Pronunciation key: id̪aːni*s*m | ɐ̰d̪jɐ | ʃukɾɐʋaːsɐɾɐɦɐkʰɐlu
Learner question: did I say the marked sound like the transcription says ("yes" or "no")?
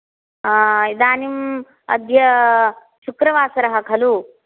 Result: no